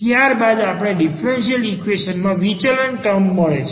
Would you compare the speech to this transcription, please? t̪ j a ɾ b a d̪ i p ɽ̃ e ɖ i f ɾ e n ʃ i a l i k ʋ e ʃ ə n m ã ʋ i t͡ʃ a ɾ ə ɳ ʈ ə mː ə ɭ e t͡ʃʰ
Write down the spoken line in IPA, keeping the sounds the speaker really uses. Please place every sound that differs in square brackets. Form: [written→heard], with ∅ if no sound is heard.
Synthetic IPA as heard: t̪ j a ɾ b a d̪ [i→a] p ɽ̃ e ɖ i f ɾ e n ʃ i [a→ə] l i k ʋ e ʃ ə n m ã ʋ i t͡ʃ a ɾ ə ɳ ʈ ə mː ə ɭ e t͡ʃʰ